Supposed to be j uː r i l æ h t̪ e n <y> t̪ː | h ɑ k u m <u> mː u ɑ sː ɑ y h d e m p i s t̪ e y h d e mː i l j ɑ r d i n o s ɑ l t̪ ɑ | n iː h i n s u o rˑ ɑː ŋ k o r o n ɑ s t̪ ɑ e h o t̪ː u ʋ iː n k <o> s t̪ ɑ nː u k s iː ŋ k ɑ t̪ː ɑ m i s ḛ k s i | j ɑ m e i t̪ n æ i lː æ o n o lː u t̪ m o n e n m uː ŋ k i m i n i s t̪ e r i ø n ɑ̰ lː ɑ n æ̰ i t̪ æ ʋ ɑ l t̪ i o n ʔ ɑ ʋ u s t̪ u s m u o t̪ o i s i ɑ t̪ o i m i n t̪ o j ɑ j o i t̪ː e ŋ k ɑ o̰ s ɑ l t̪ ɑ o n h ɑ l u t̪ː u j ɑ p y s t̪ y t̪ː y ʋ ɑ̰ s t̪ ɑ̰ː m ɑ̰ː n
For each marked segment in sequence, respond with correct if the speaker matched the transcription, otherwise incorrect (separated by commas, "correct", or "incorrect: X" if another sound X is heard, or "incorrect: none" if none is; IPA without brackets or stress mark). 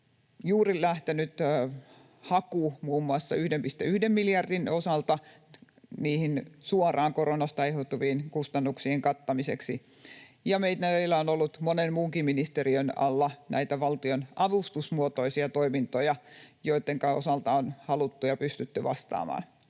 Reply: correct, incorrect: uː, incorrect: u